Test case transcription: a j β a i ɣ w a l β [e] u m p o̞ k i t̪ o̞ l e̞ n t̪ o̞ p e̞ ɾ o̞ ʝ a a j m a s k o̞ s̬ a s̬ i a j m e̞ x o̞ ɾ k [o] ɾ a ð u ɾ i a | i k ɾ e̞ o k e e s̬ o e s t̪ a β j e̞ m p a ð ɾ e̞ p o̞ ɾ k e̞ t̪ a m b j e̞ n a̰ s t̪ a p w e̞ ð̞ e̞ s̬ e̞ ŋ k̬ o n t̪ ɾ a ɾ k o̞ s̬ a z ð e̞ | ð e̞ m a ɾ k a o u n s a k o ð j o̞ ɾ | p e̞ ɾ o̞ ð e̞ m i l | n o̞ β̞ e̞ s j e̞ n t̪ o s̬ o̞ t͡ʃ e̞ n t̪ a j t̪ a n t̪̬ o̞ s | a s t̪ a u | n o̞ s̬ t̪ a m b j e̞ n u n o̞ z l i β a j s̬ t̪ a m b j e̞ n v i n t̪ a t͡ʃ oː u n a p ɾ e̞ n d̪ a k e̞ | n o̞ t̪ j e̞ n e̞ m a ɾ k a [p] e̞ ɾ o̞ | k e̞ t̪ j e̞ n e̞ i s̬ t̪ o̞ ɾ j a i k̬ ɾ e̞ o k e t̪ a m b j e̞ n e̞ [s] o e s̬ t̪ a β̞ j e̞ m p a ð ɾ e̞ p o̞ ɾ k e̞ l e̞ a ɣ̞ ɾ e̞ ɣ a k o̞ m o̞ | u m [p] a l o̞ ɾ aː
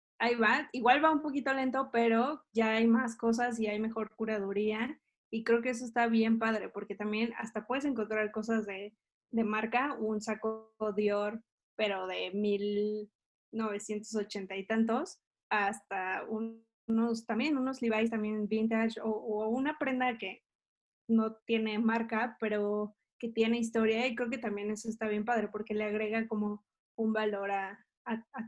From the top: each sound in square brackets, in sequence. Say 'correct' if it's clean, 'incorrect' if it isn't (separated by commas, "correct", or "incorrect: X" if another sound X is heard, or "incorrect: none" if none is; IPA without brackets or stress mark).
incorrect: a, incorrect: u, correct, correct, incorrect: b